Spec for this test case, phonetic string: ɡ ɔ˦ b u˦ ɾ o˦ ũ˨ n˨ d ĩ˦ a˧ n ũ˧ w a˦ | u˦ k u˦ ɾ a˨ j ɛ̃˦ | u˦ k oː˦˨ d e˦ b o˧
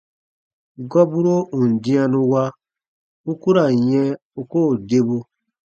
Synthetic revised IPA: ɡ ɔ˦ b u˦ ɾ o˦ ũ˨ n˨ d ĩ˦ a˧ n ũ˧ w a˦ | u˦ k u˦ ɾ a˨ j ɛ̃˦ | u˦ k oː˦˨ d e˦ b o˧